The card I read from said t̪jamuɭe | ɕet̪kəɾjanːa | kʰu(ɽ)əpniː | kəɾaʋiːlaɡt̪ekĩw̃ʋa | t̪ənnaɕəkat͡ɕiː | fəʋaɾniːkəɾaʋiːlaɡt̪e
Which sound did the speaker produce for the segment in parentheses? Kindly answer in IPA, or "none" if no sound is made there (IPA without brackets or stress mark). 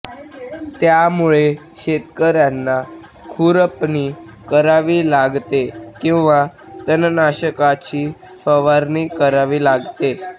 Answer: ɾ